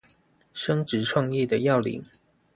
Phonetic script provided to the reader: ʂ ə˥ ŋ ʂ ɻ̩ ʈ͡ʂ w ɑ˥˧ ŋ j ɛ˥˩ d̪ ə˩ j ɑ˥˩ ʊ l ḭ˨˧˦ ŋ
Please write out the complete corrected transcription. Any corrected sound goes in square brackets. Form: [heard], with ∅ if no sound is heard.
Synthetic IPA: ʂ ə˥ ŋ [ʈ͡ʂ] ɻ̩ [ʈ͡ʂʰ] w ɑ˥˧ ŋ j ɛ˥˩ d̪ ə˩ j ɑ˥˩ ʊ l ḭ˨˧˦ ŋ